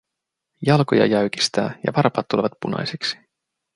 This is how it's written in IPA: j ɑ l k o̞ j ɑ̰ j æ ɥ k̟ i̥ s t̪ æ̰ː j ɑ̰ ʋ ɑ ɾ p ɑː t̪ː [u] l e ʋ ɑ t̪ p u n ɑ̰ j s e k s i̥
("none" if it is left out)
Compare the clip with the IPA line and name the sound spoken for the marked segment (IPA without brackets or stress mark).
u